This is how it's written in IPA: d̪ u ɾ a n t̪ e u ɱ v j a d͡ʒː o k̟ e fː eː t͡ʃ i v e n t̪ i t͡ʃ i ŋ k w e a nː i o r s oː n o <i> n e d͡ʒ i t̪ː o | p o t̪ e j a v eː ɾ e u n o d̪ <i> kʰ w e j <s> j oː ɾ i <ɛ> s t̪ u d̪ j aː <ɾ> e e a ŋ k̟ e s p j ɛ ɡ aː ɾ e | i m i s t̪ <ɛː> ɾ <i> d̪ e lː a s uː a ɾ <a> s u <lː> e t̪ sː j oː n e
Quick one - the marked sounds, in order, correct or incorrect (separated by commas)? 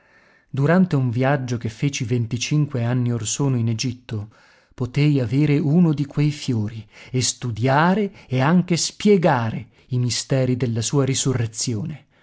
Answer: correct, correct, incorrect, incorrect, correct, correct, correct, incorrect, incorrect